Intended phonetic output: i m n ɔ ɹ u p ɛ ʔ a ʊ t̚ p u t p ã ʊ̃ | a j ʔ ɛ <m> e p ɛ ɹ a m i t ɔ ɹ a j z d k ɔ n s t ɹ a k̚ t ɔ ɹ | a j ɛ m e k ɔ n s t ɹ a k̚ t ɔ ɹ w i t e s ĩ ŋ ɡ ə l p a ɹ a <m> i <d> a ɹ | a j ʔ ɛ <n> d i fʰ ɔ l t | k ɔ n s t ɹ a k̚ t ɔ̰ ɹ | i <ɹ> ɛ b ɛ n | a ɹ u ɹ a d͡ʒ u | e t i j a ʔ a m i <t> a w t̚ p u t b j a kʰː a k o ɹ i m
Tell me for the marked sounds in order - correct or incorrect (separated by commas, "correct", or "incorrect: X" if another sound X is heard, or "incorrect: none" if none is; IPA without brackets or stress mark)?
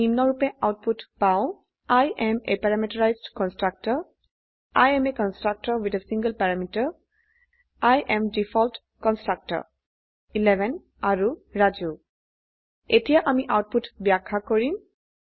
correct, correct, incorrect: t, incorrect: m, incorrect: l, incorrect: ʔ